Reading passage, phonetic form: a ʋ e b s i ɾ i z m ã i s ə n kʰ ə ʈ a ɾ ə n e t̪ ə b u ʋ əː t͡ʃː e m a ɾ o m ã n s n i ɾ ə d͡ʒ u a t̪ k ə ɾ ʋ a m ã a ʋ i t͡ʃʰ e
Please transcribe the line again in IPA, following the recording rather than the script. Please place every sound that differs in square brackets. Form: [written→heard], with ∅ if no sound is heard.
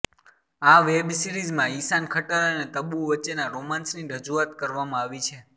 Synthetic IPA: a ʋ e b s i ɾ i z m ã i s [ə→a] n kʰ ə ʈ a ɾ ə n e t̪ ə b u ʋ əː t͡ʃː e [m→n] a ɾ o m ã n s n i ɾ ə d͡ʒ u a t̪ k ə ɾ ʋ a m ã a ʋ i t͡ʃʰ e